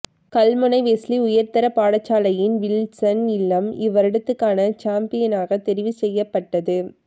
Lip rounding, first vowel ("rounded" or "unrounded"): unrounded